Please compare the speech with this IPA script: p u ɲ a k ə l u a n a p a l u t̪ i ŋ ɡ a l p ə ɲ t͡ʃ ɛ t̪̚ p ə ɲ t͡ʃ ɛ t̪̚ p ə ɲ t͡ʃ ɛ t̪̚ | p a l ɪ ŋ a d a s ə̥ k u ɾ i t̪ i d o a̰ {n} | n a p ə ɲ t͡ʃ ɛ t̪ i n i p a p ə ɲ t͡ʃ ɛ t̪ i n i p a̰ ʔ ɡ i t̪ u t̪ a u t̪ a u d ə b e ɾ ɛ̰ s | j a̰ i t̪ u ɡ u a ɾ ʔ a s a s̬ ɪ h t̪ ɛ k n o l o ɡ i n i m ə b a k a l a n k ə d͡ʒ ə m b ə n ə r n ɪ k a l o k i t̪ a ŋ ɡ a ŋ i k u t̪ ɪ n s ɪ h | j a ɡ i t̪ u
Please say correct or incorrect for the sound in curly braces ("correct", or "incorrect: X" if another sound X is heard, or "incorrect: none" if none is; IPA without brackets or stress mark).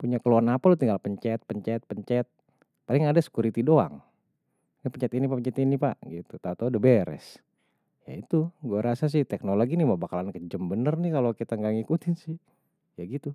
incorrect: ŋ